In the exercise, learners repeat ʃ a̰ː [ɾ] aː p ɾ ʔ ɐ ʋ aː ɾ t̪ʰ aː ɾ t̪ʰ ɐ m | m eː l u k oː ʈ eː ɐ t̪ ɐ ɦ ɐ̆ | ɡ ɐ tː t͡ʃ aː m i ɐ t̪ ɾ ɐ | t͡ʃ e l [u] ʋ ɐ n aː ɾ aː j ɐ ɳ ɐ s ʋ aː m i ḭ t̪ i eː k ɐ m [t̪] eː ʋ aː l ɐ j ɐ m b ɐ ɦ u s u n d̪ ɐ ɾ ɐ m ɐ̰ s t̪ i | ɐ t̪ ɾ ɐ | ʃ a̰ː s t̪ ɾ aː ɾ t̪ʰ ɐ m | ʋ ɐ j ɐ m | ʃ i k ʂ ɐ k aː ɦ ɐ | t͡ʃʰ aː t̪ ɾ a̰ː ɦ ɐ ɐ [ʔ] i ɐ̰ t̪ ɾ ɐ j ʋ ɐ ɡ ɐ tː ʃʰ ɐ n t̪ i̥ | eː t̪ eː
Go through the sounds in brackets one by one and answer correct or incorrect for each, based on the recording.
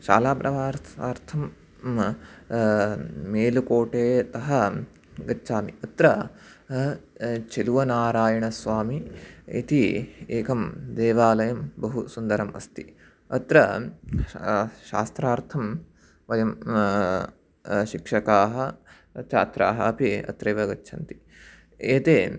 incorrect: l, correct, incorrect: d̪, incorrect: p

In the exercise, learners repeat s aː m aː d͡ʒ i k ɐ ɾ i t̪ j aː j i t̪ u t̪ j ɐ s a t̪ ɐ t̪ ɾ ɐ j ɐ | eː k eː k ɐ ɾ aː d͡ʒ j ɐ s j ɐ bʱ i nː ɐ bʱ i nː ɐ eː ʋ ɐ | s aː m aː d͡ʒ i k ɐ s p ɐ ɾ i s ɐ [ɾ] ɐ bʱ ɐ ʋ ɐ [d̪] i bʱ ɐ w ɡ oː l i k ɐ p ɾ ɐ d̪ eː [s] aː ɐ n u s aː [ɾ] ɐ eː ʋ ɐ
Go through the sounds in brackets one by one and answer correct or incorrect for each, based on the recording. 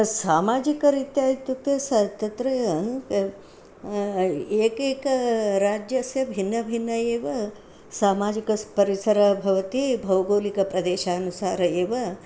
correct, incorrect: t̪, incorrect: ʃ, correct

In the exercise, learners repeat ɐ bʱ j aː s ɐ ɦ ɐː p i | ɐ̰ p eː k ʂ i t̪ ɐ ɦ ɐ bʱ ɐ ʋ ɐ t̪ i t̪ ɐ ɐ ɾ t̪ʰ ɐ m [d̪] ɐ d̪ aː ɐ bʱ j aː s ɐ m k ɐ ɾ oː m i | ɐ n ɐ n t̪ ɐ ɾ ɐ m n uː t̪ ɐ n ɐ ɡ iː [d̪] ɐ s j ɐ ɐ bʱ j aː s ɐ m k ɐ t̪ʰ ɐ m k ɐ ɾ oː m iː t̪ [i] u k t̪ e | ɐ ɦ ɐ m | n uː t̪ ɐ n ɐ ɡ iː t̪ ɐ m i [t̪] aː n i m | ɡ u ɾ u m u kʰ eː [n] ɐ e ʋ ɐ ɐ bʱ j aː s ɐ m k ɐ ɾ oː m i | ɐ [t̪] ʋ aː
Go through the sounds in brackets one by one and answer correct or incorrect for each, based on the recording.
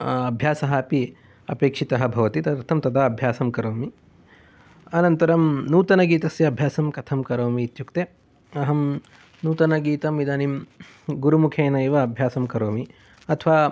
incorrect: t̪, incorrect: t̪, incorrect: j, incorrect: d̪, correct, incorrect: t̪ʰ

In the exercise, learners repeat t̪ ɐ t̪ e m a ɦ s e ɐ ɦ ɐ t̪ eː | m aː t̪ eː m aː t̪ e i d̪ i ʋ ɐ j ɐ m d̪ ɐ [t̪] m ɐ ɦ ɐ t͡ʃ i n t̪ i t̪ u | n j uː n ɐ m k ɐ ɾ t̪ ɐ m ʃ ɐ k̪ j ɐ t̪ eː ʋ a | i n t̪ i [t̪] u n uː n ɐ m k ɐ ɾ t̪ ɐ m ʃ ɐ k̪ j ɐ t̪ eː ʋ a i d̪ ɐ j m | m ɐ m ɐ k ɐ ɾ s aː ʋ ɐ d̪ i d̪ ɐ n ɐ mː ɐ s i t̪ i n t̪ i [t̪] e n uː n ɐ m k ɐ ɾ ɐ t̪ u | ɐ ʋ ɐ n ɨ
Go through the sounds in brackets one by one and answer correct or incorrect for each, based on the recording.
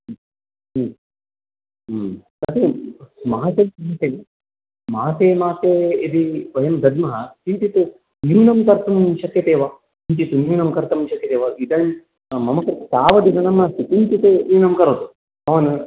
incorrect: d̪, correct, correct

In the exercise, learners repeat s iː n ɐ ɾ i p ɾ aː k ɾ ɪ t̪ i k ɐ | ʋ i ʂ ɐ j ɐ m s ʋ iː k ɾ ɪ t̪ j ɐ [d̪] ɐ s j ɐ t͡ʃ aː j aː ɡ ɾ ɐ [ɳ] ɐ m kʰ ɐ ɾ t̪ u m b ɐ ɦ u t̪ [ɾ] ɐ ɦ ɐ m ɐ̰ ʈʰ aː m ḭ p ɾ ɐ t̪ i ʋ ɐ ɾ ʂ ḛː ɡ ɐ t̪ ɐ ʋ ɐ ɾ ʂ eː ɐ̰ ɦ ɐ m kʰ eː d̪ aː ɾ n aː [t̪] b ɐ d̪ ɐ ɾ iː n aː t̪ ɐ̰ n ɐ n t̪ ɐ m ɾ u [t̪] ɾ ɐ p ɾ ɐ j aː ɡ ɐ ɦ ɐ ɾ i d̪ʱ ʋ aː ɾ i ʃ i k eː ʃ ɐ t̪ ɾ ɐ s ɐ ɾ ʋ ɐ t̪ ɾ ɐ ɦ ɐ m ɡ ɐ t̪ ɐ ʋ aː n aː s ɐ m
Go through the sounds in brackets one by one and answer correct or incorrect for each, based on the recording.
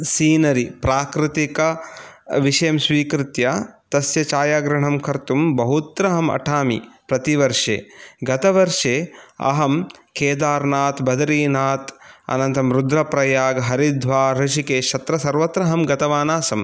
incorrect: t̪, correct, correct, correct, incorrect: d̪

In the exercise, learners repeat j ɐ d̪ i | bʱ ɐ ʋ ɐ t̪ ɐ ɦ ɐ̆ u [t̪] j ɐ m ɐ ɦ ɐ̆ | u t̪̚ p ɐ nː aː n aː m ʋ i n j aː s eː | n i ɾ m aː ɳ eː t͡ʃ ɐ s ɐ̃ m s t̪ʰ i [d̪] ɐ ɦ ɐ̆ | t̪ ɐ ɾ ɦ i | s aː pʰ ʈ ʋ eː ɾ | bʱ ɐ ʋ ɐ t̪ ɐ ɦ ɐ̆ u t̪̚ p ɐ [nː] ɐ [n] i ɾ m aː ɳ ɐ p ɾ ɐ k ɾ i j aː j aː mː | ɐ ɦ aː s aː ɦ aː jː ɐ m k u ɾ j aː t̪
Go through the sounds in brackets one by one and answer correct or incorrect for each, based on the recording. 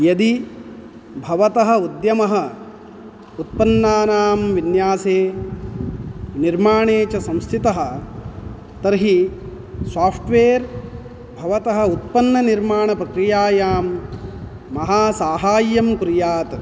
incorrect: d̪, incorrect: t̪, correct, correct

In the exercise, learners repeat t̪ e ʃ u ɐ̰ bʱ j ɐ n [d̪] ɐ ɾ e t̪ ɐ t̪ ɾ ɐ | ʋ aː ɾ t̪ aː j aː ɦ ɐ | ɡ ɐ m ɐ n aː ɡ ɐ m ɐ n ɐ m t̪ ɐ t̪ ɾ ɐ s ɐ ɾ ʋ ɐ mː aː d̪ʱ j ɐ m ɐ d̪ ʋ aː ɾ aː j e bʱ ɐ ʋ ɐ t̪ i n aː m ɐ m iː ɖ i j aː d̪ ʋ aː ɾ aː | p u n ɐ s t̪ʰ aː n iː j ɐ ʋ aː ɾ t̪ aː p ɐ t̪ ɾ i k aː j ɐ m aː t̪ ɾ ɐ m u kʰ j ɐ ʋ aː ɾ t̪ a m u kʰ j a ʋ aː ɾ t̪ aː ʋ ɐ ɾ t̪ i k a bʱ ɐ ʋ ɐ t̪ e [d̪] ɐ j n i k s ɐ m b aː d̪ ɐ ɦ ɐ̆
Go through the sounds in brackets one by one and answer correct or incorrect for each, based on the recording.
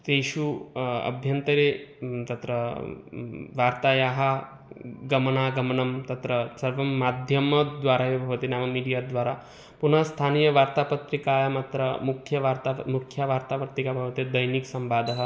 incorrect: t̪, correct

